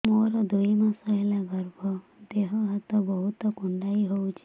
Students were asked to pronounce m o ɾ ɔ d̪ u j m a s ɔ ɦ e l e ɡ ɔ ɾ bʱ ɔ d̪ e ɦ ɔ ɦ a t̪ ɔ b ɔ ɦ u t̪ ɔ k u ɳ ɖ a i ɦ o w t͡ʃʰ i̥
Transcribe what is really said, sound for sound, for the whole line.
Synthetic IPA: m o ɾ ɔ d̪ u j m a s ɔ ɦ e l a ɡ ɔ ɾ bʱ ɔ d̪ e ɦ ɔ ɦ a t̪ ɔ b ɔ ɦ u t̪ ɔ k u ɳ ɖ a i ɦ o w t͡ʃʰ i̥